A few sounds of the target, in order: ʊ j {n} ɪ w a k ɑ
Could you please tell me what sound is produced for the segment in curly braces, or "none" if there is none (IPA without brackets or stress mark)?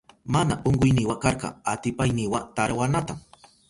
n